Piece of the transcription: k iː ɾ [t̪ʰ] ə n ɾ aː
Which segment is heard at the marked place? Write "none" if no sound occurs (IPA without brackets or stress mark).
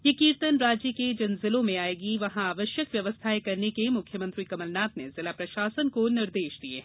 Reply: t̪